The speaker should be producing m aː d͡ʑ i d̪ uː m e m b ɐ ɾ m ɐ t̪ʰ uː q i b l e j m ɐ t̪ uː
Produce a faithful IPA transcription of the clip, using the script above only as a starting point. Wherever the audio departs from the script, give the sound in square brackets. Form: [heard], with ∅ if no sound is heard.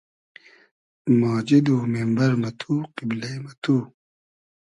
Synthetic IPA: m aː d͡ʑ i d̪ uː m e m b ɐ ɾ m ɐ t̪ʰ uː q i b l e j m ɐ t̪ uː